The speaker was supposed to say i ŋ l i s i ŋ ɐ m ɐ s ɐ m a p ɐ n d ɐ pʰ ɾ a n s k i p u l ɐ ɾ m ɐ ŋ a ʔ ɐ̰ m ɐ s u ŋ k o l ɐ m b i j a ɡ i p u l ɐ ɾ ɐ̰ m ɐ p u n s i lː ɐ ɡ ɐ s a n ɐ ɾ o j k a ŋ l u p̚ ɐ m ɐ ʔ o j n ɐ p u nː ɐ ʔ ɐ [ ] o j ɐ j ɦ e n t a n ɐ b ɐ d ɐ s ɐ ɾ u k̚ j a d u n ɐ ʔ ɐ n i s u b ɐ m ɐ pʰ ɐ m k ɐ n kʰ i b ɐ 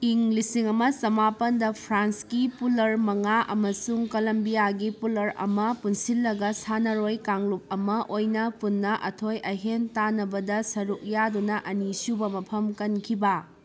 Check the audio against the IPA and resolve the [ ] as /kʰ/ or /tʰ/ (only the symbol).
tʰ